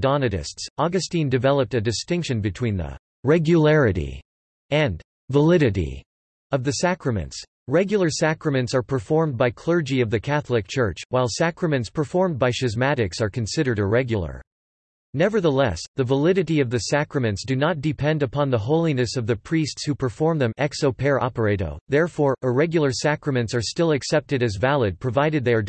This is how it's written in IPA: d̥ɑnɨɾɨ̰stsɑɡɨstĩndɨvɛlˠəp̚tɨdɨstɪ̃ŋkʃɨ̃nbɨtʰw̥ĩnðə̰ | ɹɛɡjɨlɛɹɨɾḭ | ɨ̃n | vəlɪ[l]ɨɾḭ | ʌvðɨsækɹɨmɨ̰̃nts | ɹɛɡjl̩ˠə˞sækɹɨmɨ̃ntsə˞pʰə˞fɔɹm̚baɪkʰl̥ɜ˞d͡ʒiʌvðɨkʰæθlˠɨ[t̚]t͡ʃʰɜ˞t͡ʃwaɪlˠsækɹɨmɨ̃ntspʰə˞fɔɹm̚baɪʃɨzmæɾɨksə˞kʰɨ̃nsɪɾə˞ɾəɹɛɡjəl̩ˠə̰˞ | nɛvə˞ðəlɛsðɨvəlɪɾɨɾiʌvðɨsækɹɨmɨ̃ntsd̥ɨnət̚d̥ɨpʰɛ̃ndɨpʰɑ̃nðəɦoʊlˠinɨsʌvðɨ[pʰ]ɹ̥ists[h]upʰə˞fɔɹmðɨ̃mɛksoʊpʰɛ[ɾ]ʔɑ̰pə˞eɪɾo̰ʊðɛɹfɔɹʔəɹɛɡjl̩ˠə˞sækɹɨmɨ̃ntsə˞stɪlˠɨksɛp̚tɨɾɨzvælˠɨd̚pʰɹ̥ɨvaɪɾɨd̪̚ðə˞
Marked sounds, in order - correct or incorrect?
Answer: incorrect: ɾ, incorrect: k̚, correct, correct, incorrect: ɹ

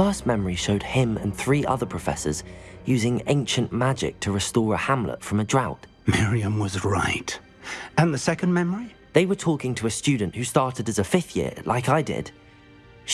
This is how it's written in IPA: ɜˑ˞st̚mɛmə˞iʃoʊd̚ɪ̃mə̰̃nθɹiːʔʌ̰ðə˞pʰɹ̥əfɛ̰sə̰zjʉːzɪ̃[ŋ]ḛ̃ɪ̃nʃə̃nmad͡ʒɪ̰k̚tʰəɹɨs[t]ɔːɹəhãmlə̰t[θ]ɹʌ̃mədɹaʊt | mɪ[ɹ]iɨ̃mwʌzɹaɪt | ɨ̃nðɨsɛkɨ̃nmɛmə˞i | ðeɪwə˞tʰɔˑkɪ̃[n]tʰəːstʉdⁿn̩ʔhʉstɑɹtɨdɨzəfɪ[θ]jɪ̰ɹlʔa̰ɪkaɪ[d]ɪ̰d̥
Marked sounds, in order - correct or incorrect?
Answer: correct, correct, incorrect: f, correct, incorrect: ŋ, correct, correct

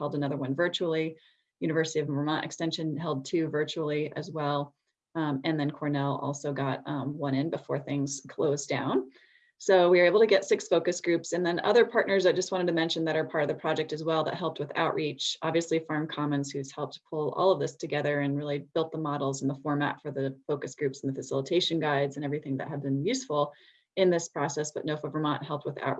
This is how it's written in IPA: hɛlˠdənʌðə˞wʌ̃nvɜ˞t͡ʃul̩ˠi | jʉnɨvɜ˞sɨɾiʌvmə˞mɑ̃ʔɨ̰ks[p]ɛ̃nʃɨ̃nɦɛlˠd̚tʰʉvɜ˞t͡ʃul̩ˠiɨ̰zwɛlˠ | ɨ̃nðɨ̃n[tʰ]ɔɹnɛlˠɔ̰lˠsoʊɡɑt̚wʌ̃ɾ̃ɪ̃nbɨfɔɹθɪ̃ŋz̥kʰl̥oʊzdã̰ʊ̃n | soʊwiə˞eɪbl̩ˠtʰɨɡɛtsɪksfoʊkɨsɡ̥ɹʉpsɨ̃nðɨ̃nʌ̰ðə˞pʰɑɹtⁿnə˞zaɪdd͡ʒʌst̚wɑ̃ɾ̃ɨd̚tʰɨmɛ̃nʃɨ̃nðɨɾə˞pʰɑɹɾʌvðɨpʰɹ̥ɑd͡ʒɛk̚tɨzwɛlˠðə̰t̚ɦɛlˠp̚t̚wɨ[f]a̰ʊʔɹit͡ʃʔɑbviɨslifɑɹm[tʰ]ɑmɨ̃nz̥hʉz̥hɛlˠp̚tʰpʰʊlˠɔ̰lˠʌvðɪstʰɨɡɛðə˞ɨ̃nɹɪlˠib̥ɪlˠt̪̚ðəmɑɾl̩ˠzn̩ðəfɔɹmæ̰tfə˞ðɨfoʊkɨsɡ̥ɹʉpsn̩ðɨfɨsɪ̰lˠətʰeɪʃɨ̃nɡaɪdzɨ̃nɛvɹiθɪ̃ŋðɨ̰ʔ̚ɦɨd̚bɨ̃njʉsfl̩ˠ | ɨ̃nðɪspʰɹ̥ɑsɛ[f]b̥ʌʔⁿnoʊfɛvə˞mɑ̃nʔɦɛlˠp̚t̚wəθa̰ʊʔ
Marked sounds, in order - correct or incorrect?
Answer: incorrect: t, incorrect: kʰ, incorrect: θ, incorrect: kʰ, incorrect: s

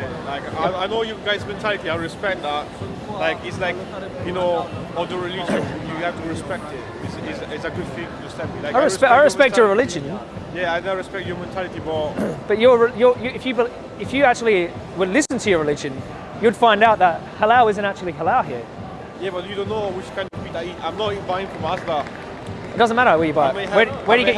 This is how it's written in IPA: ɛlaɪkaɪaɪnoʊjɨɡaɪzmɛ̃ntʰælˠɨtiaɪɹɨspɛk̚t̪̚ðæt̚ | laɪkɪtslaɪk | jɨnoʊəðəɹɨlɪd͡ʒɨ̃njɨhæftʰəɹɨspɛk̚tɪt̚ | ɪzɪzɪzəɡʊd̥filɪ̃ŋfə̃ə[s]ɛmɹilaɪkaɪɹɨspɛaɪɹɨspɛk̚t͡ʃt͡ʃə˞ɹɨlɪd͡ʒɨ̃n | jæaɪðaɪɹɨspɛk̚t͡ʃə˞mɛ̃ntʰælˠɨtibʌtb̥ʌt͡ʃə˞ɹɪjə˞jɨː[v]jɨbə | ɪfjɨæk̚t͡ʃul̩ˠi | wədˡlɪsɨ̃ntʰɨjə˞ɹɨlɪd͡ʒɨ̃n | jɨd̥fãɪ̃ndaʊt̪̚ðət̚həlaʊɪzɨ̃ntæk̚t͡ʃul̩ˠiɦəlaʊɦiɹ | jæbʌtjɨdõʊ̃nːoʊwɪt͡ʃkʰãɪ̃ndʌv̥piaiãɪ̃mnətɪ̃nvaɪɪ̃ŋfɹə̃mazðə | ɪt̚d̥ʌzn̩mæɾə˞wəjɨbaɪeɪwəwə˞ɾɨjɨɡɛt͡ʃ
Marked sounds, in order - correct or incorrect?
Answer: correct, incorrect: f

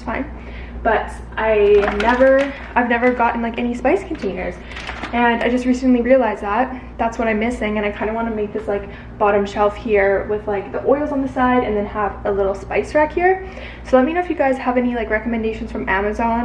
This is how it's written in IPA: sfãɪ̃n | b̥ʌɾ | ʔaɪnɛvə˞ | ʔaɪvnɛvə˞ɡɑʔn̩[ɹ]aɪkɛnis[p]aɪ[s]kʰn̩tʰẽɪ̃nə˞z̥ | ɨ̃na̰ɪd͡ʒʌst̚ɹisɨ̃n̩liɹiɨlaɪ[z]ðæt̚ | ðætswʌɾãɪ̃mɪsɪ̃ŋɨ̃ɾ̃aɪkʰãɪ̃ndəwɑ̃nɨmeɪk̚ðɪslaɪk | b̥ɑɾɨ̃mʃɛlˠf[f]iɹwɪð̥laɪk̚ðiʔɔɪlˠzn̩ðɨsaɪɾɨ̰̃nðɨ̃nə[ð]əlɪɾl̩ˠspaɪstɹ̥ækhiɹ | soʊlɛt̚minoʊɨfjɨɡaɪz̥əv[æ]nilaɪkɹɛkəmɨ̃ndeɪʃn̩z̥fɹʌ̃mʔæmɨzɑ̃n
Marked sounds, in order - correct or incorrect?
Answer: incorrect: l, correct, correct, correct, incorrect: h, incorrect: v, incorrect: ɛ

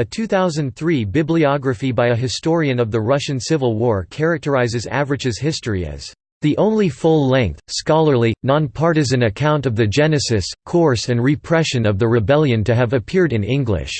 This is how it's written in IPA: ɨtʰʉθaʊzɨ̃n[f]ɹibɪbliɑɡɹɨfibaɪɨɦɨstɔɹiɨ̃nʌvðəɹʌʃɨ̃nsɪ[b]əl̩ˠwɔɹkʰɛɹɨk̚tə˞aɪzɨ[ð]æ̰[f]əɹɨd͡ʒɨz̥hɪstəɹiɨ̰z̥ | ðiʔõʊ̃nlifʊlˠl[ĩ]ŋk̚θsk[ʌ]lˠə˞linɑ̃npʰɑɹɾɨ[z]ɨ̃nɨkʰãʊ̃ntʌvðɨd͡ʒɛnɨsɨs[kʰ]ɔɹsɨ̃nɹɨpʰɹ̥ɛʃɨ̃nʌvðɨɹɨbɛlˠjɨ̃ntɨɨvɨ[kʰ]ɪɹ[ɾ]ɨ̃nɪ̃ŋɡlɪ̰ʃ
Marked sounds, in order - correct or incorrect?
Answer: incorrect: θ, incorrect: v, incorrect: z, incorrect: v, incorrect: ɛ̃, incorrect: ɑ, correct, correct, incorrect: pʰ, correct

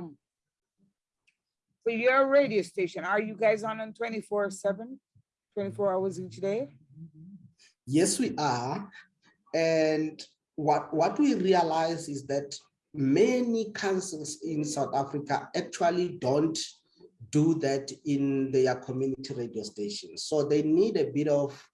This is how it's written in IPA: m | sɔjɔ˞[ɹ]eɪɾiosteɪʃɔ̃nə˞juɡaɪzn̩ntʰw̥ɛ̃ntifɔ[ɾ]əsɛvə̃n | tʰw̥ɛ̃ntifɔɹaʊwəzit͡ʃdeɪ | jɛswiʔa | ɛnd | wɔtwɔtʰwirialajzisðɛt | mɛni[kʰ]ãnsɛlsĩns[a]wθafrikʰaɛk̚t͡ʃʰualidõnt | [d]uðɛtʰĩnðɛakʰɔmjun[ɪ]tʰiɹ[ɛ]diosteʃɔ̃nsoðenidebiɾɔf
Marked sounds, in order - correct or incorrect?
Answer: correct, incorrect: ɹ, correct, correct, correct, incorrect: i, incorrect: e

